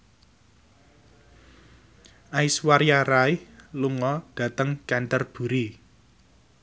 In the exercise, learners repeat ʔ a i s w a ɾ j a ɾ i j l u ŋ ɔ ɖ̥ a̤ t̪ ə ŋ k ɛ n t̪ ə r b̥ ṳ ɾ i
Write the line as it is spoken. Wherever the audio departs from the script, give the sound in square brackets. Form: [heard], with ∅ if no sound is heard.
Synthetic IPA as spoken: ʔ a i s w a ɾ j a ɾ [a] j l u ŋ ɔ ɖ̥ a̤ t̪ ə ŋ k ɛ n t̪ ə r b̥ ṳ ɾ i